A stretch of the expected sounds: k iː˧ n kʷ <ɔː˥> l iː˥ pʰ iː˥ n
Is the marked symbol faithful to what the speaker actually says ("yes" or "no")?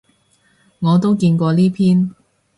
no